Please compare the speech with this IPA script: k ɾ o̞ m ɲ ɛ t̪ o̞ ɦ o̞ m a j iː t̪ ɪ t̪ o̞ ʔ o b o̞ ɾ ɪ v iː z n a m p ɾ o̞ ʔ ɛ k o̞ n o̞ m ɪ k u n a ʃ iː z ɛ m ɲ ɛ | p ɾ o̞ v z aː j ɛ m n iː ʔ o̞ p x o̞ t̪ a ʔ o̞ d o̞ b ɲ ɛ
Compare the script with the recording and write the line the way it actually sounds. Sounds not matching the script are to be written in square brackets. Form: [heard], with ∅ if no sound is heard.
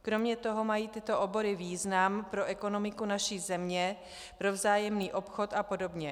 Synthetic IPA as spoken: k ɾ o̞ m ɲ ɛ t̪ o̞ ɦ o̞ m a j iː t̪ ɪ t̪ o̞ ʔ o b o̞ ɾ ɪ v iː z n a m p ɾ o̞ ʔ ɛ k o̞ n o̞ m ɪ k u n a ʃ iː z ɛ m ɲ ɛ | p ɾ o̞ v z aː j ɛ m n iː ʔ o̞ p x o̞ t̪ a [p] o̞ d o̞ b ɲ ɛ

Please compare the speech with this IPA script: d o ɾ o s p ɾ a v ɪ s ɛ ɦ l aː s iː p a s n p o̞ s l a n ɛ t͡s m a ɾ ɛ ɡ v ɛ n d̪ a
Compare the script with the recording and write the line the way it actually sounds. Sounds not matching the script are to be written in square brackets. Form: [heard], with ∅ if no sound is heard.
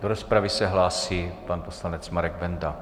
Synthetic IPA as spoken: d o ɾ o s p ɾ a v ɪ s ɛ ɦ l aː s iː p a [∅] n p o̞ s l a n ɛ t͡s m a ɾ ɛ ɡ v ɛ n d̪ a

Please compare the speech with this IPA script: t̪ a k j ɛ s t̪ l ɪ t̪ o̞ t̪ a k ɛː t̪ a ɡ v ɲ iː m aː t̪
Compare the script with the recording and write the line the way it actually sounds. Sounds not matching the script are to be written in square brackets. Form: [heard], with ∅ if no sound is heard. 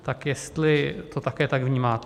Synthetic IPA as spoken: t̪ a k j ɛ s t̪ l ɪ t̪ o̞ t̪ a k ɛː t̪ a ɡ v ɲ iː m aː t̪

